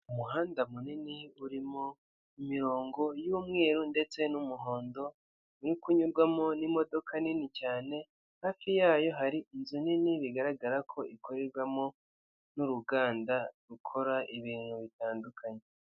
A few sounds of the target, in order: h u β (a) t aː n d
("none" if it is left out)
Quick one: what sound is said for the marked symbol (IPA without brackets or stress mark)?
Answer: i